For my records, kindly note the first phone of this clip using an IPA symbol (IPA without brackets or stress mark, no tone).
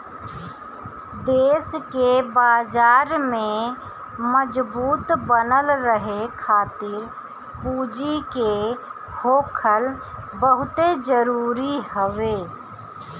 d̪